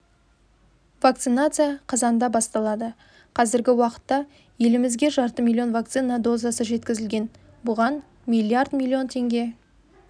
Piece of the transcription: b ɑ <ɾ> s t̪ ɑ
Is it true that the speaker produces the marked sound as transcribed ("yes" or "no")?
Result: no